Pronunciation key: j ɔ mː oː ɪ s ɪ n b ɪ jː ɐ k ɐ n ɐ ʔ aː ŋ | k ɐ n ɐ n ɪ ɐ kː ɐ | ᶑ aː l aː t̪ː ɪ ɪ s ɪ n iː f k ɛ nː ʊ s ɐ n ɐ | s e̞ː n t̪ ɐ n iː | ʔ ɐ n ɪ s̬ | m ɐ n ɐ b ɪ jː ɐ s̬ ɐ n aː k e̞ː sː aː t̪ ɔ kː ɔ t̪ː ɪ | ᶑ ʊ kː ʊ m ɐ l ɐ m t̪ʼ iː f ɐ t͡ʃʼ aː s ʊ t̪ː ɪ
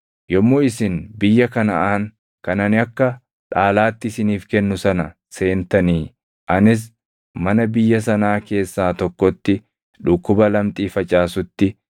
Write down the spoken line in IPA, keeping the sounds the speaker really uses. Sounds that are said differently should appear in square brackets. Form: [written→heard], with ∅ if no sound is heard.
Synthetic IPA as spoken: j ɔ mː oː ɪ s ɪ n b ɪ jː ɐ k ɐ n ɐ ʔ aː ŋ | k ɐ n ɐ n ɪ ɐ kː ɐ | ᶑ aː l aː t̪ː ɪ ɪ s ɪ n iː f k ɛ nː ʊ s ɐ n ɐ | s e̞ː n t̪ ɐ n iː | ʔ ɐ n ɪ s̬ | m ɐ n ɐ b ɪ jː ɐ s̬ ɐ n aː k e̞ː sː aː t̪ ɔ kː ɔ t̪ː ɪ | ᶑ ʊ kː ʊ [m→b] ɐ l ɐ m t̪ʼ iː f ɐ t͡ʃʼ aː s ʊ t̪ː ɪ